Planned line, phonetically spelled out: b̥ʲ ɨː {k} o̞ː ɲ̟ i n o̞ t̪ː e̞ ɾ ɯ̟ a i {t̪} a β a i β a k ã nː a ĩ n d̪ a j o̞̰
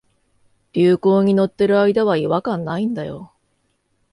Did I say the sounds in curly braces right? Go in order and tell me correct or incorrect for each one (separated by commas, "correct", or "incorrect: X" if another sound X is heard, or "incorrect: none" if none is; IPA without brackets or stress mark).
correct, incorrect: d̪